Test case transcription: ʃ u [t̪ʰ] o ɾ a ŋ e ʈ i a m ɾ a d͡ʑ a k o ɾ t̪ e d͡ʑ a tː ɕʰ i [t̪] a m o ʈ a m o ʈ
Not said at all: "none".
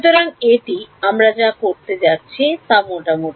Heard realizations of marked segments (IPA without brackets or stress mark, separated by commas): t̪, t̪